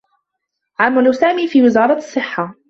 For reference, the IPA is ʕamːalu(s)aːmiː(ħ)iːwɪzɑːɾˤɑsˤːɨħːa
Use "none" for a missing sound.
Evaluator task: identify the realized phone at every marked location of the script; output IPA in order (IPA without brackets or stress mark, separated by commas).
s, f